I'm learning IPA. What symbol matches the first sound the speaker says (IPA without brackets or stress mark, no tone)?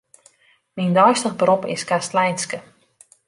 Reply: m